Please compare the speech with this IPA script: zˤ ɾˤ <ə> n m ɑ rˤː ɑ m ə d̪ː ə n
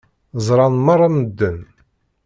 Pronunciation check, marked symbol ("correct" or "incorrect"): incorrect